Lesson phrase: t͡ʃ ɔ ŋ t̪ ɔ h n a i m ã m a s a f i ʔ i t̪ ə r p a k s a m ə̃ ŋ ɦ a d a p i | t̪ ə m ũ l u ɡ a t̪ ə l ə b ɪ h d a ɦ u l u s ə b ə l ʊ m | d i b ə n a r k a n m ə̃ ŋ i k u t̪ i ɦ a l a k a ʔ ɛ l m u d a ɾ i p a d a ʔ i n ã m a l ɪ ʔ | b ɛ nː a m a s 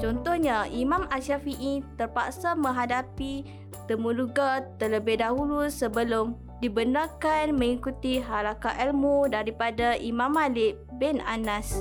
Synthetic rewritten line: t͡ʃ ɔ n t̪ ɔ h ɲ a i m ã m a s a f i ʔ i t̪ ə r p a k s a m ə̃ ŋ ɦ a d a p i | t̪ ə m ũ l u ɡ a t̪ ə l ə b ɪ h d a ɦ u l u s ə b ə l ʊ m | d i b ə n a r k a n m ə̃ ŋ i k u t̪ i ɦ a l a k a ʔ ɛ l m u d a ɾ i p a d a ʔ i m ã m a l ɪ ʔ | b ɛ n a n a s